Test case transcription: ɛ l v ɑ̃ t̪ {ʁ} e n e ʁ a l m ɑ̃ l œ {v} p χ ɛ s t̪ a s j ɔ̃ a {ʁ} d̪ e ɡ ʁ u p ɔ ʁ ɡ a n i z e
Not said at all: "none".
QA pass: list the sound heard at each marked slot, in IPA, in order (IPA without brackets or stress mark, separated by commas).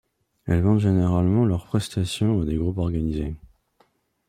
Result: ʒ, ʁ, none